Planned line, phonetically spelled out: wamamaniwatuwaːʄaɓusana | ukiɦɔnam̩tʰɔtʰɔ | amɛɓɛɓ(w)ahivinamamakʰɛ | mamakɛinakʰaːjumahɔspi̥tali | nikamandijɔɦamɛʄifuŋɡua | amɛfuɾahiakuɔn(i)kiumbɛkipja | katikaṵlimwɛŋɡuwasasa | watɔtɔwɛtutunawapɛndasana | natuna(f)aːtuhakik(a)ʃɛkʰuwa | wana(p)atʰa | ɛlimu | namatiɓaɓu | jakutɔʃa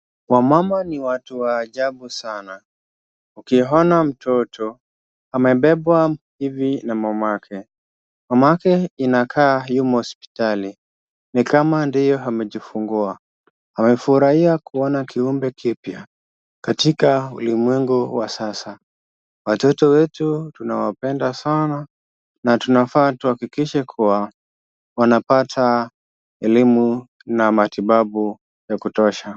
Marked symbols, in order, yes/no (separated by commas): yes, no, yes, no, yes